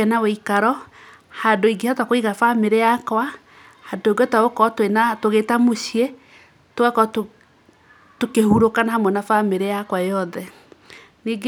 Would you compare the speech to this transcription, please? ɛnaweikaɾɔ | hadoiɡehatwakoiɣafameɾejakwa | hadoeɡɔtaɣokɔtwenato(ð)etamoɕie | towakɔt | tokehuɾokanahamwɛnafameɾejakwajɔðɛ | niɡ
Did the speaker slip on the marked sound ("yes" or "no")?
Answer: yes